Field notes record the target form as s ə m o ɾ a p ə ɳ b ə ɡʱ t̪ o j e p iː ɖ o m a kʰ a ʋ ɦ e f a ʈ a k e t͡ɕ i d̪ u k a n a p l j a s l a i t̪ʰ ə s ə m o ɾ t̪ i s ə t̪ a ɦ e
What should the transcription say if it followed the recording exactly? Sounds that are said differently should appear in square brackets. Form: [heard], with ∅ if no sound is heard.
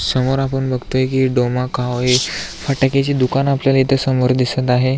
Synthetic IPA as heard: s ə m o ɾ a p ə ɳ b ə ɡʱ t̪ o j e [k] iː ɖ o m a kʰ a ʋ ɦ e f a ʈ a k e t͡ɕ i d̪ u k a n a p l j a [∅] l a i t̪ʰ ə s ə m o ɾ [d̪] i s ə t̪ a ɦ e